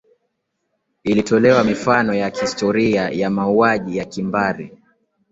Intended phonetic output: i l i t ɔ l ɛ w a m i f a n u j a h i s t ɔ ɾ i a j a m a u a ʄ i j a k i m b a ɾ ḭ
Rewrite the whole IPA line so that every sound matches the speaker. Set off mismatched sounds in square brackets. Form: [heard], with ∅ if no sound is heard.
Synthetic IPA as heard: i l i t ɔ l ɛ w a m i f a n [ɔ] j a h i s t ɔ ɾ i a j a m a u a ʄ i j a k i m b a ɾ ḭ